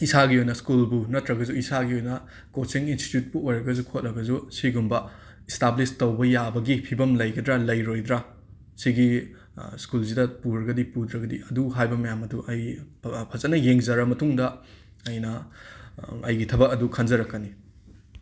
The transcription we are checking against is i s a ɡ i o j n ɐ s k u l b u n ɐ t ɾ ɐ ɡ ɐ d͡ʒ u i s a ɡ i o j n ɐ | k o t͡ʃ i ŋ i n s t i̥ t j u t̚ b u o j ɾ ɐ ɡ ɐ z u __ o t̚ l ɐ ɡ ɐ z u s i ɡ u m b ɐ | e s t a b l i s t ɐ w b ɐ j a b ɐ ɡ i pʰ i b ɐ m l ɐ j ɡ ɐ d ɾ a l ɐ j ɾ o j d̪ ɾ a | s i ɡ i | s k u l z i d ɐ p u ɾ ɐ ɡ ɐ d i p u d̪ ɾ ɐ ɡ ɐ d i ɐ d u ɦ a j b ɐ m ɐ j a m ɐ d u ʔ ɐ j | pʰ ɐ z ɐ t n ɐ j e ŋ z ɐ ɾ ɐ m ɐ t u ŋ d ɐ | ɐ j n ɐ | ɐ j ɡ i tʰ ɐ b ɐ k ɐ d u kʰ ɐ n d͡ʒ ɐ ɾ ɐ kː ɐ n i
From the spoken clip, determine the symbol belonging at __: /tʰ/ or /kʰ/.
kʰ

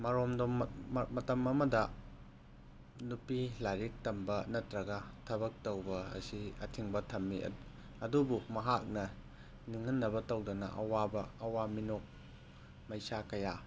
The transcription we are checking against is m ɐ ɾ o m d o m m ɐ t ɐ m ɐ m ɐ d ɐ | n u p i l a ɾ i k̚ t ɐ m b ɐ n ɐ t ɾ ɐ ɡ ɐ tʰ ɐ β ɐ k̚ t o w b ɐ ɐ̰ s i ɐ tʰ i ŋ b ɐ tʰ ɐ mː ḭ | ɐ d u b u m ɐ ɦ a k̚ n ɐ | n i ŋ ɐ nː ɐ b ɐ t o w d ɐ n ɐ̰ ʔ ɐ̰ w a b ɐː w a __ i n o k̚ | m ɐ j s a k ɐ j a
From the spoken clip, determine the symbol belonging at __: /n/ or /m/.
m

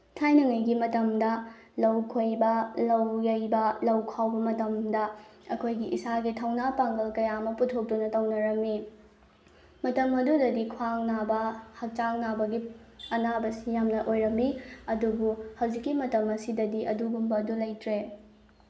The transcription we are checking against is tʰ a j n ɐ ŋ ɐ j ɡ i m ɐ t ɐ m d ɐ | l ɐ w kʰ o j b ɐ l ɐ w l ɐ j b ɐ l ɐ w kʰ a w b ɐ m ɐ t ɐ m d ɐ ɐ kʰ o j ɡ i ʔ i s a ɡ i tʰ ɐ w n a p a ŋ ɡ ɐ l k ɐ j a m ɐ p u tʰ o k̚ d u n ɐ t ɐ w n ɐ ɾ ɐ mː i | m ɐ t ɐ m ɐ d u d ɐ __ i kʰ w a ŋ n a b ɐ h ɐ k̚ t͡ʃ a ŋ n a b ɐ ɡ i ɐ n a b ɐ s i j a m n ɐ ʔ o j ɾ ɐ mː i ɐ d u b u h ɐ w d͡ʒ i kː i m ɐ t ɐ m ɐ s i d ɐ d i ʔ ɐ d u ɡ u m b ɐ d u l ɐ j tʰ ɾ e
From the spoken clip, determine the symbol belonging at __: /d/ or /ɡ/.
d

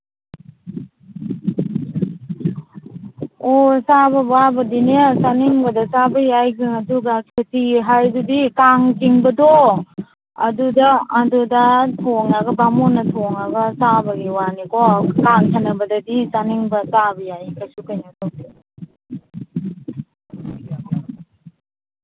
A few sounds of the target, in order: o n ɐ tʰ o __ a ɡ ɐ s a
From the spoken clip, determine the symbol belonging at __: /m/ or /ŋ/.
ŋ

